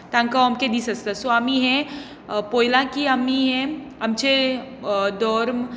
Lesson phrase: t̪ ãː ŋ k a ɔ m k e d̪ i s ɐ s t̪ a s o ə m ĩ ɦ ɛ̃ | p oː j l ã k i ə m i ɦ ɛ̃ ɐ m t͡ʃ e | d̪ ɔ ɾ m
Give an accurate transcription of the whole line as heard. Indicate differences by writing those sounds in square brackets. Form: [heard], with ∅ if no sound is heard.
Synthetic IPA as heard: t̪ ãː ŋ k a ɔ m k e d̪ i s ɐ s t̪ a s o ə m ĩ ɦ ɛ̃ | p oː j l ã k i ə m i ɦ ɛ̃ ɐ m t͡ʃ e | d̪ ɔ ɾ m